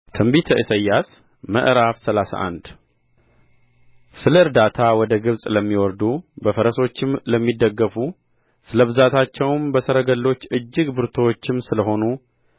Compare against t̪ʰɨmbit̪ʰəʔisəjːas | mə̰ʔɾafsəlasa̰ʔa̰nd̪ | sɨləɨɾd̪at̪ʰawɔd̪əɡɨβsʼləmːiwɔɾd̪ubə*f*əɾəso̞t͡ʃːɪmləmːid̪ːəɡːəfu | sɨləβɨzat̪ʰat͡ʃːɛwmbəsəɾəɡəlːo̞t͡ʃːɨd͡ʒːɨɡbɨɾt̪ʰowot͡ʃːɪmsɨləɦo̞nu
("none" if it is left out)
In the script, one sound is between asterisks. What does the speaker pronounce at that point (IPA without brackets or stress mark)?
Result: f